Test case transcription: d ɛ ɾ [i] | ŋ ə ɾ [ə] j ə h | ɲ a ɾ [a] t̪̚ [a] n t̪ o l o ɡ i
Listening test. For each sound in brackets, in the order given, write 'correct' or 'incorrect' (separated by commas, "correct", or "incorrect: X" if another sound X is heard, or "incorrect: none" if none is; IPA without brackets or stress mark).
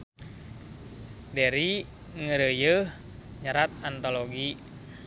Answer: correct, correct, correct, correct